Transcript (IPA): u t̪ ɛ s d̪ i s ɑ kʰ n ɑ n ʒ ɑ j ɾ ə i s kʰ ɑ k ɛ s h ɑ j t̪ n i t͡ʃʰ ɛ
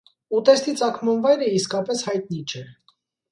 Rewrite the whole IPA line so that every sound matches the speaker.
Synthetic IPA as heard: u t̪ ɛ s t̪ i t͡s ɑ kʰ m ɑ n v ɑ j ɾ ə i s k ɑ p ɛ s h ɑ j t̪ n i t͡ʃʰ ɛ